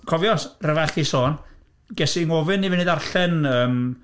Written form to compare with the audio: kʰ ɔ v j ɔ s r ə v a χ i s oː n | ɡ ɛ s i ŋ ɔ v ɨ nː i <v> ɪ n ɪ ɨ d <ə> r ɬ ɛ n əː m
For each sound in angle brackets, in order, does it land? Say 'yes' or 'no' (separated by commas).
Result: yes, no